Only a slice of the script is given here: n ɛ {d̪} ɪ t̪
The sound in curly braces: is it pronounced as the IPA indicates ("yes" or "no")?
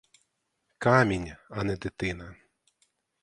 yes